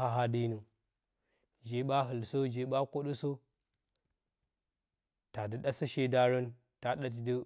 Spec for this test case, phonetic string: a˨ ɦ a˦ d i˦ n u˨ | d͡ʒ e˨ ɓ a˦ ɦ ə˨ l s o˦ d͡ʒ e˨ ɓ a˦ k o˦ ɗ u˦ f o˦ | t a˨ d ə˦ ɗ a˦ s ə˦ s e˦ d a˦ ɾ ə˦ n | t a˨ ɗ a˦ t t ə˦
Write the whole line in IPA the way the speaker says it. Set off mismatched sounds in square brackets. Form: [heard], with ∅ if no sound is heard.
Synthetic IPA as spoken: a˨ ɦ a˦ d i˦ n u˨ | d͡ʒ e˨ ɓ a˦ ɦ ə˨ l s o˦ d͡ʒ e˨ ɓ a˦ k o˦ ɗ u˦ [s] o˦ | t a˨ d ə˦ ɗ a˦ s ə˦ [ʃ] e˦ d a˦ ɾ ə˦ n | t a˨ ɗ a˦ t [d] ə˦